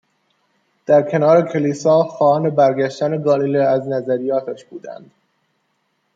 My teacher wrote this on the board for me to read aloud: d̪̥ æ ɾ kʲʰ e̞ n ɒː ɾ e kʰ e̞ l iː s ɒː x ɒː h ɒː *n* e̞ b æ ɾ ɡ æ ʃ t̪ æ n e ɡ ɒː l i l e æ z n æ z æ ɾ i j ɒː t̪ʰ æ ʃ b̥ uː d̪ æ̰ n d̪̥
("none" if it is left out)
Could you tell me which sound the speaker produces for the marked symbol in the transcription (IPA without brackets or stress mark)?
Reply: n